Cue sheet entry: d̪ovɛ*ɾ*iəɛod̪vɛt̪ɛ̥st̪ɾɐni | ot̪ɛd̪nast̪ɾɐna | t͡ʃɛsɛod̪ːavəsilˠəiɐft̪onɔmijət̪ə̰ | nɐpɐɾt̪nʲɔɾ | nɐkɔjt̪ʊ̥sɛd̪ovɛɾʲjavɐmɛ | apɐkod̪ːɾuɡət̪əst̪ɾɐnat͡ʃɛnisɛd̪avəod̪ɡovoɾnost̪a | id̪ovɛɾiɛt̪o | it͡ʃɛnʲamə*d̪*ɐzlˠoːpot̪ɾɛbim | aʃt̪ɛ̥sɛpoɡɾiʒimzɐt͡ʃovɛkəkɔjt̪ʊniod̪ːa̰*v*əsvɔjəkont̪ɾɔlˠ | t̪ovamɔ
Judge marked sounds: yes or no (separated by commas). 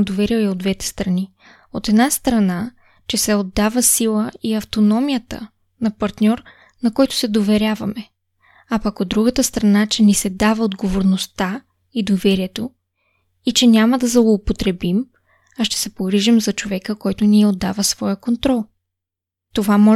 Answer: yes, yes, yes